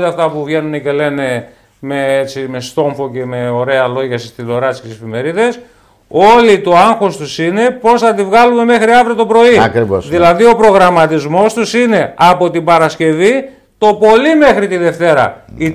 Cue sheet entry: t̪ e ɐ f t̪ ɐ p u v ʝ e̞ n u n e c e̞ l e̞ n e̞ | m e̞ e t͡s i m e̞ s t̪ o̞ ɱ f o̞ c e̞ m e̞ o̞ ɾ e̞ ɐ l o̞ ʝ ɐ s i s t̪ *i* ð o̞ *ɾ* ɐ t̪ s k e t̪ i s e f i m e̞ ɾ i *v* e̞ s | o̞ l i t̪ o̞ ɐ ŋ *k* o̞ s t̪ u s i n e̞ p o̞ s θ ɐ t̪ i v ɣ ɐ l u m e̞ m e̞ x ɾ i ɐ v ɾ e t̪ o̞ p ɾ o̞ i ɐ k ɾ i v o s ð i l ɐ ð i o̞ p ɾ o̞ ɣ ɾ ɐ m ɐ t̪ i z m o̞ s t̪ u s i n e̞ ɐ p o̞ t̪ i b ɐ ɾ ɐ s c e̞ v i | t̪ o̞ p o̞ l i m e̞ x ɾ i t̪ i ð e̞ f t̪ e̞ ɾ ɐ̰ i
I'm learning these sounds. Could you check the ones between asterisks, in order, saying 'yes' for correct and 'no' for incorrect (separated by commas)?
yes, yes, no, no